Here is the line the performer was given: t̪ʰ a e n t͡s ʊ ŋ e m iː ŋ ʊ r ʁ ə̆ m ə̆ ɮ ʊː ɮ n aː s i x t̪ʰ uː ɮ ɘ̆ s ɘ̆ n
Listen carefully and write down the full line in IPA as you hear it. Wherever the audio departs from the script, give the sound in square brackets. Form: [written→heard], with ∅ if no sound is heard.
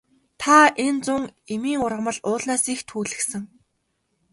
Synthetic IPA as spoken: t̪ʰ a e n t͡s ʊ ŋ e m iː ŋ ʊ r ʁ ə̆ m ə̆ ɮ ʊː ɮ n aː s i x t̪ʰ uː ɮ ɘ̆ s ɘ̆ [n→ŋ]